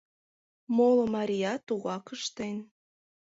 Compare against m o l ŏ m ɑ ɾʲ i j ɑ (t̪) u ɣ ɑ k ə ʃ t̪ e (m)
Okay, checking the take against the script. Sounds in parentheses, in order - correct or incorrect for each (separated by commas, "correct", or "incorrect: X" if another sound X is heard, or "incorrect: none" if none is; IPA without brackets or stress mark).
correct, incorrect: n